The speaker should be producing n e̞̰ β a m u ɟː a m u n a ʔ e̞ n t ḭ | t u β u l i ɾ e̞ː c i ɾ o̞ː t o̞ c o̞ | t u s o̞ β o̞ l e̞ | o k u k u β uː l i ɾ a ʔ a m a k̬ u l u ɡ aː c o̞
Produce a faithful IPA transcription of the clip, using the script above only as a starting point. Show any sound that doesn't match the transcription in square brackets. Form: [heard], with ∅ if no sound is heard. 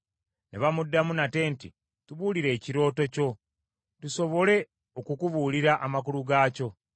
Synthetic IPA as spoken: n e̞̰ β a m u [dː] a m u n a [t] e̞ n t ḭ | t u β u l i ɾ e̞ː c i ɾ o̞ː t o̞ c o̞ | t u s o̞ β o̞ l e̞ | o k u k u β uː l i ɾ a ʔ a m a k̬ u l u ɡ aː c o̞